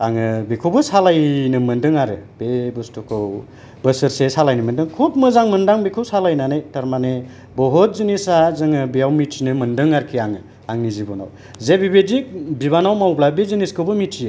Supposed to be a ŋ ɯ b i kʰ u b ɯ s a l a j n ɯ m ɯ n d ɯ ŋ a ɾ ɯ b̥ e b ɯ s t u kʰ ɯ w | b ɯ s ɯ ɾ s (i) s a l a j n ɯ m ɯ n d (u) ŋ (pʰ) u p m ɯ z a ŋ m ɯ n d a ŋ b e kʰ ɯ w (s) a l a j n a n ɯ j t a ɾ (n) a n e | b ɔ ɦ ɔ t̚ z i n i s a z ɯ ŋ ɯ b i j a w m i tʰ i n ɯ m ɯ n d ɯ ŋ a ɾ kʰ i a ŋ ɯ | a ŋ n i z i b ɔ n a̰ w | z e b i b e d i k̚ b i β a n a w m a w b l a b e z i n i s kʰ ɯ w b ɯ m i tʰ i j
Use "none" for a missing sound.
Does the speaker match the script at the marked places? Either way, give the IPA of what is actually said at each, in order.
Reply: e, ɯ, kʰ, s, m

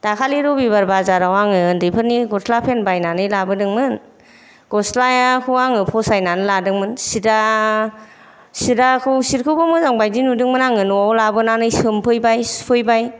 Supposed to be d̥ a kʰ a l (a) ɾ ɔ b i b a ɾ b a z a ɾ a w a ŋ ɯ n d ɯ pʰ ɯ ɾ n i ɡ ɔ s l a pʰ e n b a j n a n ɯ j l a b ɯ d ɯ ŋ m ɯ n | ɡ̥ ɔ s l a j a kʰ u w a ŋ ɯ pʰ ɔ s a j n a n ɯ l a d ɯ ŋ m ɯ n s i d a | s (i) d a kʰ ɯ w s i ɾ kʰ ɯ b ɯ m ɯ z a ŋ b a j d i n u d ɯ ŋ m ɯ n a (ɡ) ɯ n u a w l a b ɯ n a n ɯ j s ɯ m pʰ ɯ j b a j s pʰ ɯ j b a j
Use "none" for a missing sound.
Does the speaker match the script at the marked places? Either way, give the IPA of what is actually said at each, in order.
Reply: i, i, ŋ

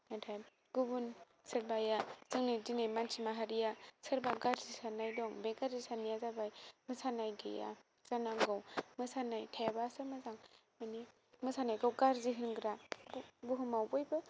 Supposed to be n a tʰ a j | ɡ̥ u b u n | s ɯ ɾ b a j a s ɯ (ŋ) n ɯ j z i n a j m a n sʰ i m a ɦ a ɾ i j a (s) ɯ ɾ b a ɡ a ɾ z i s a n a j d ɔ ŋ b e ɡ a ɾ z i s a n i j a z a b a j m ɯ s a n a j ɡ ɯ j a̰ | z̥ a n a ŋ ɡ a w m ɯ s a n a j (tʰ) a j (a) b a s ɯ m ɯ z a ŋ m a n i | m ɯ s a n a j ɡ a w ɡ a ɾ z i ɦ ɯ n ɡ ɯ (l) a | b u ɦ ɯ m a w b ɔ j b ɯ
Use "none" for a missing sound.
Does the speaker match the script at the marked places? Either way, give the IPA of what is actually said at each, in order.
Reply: ŋ, s, tʰ, a, ɾ

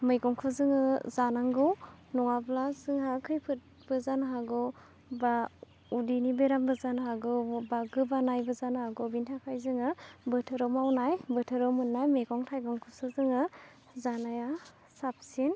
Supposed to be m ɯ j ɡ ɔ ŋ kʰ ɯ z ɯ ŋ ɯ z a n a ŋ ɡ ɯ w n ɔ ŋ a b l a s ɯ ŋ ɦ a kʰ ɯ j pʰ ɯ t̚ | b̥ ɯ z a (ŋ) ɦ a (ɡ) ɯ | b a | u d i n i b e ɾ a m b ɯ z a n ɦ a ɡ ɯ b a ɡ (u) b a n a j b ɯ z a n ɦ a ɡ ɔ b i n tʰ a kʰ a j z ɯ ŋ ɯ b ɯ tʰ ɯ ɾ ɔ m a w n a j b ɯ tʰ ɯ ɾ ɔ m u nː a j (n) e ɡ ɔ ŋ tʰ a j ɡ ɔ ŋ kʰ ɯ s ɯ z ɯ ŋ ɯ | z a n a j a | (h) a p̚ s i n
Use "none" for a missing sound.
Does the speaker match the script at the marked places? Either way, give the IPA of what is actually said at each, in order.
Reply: n, ɡ, ɯ, m, s

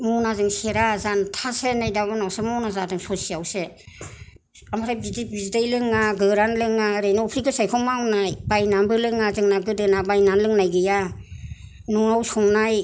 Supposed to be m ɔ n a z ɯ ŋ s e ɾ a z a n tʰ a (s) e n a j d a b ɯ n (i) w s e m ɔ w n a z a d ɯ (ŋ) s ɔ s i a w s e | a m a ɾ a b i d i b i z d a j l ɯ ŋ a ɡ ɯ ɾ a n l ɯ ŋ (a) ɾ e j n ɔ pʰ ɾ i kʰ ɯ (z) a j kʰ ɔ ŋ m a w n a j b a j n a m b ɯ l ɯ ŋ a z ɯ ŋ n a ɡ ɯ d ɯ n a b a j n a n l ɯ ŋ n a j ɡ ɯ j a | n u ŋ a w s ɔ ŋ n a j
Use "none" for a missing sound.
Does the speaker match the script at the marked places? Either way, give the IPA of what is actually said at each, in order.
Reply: s, a, ŋ, a, s

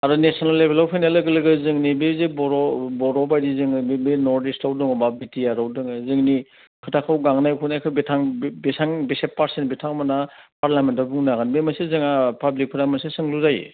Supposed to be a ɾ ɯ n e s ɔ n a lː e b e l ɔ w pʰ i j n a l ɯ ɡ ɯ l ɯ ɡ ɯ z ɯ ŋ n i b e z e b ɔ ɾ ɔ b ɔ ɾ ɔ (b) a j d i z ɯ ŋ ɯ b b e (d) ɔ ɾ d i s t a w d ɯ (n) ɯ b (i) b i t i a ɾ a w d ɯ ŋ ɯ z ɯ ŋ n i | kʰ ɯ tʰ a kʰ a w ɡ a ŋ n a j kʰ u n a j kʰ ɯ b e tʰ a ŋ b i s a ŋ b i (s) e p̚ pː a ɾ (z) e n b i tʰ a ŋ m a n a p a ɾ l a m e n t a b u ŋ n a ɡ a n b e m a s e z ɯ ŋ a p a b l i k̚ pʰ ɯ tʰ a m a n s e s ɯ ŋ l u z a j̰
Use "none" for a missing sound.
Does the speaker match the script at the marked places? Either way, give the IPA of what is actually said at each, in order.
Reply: b, n, ŋ, a, s, s

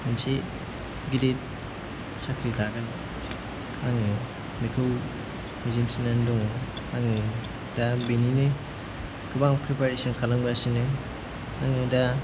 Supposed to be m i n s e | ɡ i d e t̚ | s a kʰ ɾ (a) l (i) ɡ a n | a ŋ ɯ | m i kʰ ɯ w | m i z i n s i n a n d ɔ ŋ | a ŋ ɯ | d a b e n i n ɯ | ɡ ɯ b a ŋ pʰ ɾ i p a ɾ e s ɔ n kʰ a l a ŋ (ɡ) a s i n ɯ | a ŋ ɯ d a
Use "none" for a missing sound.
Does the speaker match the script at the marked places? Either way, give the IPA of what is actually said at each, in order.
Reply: i, a, b

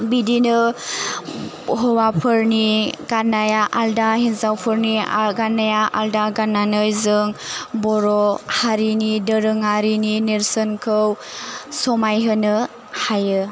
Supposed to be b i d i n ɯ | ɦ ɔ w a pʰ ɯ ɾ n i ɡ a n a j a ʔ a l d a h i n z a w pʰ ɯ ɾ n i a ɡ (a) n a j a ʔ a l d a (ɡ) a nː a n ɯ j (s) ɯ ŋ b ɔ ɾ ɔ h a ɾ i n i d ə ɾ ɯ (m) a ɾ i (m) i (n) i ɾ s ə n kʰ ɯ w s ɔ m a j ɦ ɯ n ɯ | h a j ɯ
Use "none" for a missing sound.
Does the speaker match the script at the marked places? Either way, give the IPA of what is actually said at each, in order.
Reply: a, ɡ, z, ŋ, n, n

